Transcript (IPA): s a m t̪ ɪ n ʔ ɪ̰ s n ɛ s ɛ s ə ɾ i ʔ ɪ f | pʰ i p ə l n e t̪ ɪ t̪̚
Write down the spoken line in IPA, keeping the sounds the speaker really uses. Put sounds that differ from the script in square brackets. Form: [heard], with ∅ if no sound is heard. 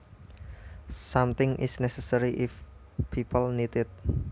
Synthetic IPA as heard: s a m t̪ ɪ [ŋ] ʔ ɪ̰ s n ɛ s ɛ s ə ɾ i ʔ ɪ f | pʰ i p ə l n [i] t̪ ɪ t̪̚